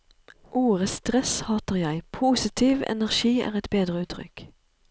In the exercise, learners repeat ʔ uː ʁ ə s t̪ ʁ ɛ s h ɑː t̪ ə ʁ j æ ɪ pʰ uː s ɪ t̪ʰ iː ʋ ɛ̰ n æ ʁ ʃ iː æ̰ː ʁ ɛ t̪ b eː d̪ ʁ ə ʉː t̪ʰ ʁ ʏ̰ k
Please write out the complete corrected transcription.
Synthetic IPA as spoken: ʔ uː ʁ ə s t̪ ʁ ɛ s h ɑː t̪ ə ʁ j æ ɪ pʰ uː s ɪ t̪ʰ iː ʋ ɛ̰ n æ ʁ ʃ iː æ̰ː ʁ ɛ t̪ b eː d̪ ʁ ə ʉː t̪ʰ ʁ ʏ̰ k